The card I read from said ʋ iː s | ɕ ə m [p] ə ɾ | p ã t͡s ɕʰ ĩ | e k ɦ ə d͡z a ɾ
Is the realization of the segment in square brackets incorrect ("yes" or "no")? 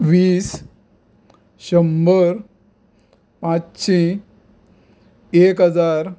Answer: yes